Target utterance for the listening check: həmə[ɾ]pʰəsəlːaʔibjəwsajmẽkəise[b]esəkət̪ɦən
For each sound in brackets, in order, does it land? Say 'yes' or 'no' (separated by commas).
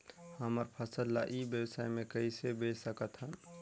yes, yes